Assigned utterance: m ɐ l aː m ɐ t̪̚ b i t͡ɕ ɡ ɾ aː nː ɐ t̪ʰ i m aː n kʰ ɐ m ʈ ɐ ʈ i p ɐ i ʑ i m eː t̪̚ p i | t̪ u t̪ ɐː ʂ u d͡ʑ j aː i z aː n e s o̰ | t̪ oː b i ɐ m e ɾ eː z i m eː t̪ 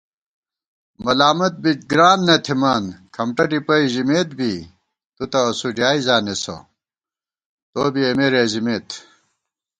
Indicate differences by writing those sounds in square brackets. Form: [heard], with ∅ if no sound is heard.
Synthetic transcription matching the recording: m ɐ l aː m ɐ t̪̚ b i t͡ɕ ɡ ɾ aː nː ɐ t̪ʰ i m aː n kʰ ɐ m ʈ ɐ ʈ i p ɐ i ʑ i m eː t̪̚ [b] i | t̪ u t̪ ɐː [s] u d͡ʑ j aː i z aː n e s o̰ | t̪ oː b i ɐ m e ɾ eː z i m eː t̪